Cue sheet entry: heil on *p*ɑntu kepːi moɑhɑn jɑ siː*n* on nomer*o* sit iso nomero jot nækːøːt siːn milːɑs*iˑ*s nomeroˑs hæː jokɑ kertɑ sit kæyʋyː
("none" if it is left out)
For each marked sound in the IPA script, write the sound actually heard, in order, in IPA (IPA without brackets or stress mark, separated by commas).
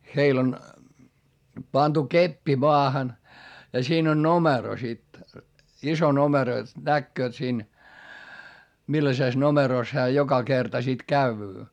p, n, o, eˑ